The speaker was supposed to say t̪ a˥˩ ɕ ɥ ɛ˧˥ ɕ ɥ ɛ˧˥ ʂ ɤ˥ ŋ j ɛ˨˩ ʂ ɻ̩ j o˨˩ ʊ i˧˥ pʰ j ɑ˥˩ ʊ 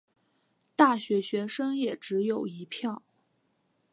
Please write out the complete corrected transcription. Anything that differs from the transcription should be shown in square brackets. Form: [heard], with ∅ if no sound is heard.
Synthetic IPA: t̪ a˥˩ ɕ ɥ ɛ˧˥ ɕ ɥ ɛ˧˥ ʂ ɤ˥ ŋ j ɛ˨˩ [ʈ͡ʂ] ɻ̩ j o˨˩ ʊ i˧˥ pʰ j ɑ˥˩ ʊ